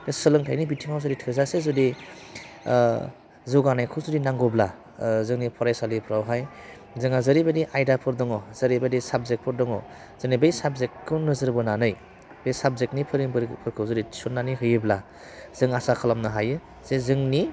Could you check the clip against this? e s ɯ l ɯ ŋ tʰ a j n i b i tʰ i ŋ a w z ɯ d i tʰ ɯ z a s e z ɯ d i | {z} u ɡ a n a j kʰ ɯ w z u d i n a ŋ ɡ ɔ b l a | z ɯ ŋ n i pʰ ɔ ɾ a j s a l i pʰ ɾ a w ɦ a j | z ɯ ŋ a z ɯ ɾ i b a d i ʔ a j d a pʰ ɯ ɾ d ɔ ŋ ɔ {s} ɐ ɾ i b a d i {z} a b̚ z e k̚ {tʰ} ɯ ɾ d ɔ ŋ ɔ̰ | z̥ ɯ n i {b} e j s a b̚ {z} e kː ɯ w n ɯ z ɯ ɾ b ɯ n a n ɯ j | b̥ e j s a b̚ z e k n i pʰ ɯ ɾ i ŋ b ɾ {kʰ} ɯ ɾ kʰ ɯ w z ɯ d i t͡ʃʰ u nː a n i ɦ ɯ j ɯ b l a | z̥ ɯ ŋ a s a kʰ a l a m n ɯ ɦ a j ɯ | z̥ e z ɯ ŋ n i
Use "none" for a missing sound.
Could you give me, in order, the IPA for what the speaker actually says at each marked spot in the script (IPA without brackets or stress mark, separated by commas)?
z, z, s, pʰ, b, z, pʰ